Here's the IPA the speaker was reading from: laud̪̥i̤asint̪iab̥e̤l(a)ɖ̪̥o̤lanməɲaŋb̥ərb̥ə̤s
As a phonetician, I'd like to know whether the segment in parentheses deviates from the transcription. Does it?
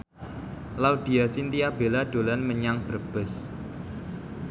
no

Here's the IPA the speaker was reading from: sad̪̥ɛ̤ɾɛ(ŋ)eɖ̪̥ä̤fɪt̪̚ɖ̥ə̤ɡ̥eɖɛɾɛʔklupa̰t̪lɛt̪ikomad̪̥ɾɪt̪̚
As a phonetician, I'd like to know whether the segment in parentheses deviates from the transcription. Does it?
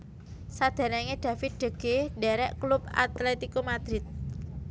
no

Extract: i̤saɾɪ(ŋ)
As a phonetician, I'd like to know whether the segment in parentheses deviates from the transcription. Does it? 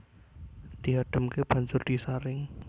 no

